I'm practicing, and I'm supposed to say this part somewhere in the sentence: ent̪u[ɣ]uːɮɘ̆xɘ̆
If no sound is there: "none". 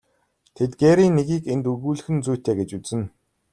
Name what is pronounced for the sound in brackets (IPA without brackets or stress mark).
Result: ɣ